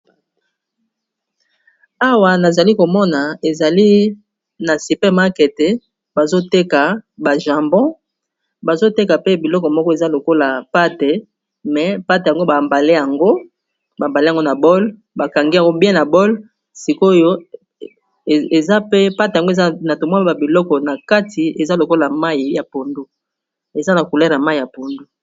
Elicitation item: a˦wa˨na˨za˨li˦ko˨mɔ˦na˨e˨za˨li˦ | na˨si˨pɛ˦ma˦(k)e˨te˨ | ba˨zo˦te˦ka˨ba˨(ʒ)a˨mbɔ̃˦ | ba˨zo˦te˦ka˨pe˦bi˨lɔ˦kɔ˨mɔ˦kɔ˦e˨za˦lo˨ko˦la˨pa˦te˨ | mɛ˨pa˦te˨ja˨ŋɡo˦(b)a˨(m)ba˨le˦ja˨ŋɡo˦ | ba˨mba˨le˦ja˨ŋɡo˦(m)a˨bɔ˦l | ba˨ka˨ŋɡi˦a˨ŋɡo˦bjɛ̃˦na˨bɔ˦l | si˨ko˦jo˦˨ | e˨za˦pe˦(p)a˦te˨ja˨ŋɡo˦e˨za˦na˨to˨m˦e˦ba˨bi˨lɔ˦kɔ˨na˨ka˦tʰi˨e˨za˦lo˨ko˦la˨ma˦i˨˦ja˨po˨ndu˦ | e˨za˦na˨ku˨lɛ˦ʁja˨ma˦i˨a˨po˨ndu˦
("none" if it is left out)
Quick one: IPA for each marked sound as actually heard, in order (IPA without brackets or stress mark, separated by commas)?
k, ʒ, b, m, n, p